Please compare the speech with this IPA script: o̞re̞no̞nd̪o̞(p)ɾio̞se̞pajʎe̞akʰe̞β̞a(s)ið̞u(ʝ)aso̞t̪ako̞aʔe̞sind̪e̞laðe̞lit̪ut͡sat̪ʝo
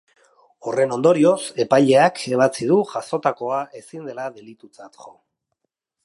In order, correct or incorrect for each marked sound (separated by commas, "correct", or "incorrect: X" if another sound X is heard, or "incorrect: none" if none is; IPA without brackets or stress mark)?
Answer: incorrect: none, incorrect: t͡s, correct